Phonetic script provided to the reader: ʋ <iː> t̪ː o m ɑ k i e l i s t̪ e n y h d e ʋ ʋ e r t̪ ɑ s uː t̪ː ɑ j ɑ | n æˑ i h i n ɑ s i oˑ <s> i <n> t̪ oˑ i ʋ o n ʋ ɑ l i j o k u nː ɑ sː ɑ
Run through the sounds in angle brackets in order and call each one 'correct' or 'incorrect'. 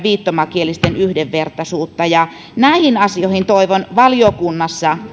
correct, incorrect: h, correct

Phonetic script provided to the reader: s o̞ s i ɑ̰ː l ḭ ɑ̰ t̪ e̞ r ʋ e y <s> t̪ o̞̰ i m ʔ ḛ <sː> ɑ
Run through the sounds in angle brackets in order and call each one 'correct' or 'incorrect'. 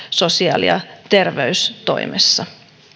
correct, correct

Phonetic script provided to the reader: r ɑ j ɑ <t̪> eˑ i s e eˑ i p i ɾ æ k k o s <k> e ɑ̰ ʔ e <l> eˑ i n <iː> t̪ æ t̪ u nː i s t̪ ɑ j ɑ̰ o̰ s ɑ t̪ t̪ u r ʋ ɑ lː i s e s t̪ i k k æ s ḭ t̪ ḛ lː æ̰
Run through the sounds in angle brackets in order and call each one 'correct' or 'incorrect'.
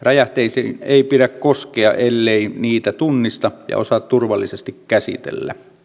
correct, correct, incorrect: lː, correct

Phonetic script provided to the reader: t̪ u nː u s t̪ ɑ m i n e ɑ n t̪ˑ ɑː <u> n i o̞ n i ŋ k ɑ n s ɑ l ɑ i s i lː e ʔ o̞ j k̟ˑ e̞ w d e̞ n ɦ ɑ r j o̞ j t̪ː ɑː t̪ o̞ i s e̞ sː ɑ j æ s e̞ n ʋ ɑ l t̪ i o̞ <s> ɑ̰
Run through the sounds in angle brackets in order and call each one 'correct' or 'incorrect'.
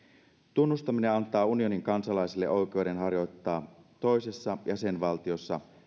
correct, incorrect: sː

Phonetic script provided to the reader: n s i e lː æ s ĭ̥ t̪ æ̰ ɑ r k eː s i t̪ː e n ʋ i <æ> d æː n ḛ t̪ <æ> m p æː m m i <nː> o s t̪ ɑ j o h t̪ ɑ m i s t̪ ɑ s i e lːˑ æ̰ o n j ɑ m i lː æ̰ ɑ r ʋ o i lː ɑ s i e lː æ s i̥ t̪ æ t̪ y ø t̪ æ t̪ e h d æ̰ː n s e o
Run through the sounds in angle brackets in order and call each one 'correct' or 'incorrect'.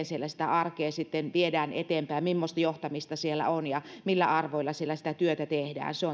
incorrect: e, incorrect: e, incorrect: mː

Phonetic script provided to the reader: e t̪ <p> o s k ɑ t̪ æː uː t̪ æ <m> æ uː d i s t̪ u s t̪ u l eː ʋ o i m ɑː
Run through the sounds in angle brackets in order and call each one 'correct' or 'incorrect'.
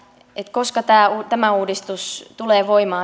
incorrect: k, correct

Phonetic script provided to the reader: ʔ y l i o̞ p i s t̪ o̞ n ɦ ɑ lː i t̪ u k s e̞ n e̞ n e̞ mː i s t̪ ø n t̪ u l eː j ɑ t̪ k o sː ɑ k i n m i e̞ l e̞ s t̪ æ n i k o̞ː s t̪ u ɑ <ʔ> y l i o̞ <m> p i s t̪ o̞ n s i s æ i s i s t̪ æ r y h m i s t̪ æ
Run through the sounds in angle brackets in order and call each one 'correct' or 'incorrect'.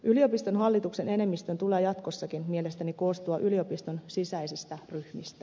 correct, incorrect: none

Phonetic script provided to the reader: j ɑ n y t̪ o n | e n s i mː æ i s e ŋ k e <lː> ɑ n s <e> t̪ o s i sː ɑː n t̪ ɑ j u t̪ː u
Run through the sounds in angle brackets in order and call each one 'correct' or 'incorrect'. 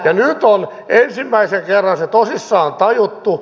incorrect: rː, correct

